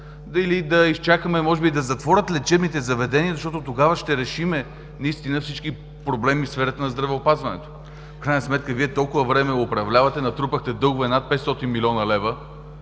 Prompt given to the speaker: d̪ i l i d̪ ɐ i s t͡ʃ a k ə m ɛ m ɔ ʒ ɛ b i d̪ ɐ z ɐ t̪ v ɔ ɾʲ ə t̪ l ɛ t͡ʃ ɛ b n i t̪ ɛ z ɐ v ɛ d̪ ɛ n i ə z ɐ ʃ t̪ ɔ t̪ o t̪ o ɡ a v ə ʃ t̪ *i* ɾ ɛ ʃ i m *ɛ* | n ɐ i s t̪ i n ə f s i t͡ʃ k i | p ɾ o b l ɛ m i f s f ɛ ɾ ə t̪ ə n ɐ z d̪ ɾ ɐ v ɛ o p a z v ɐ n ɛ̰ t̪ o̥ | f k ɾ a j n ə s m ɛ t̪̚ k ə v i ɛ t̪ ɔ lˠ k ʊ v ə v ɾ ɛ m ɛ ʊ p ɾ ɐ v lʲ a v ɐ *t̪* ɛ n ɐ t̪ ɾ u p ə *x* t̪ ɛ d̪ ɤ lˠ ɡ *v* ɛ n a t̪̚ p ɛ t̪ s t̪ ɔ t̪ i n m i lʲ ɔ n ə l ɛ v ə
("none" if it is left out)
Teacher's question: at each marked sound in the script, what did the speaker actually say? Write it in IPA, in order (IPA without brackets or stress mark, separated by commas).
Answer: ɛ, ɛ, t̪, x, v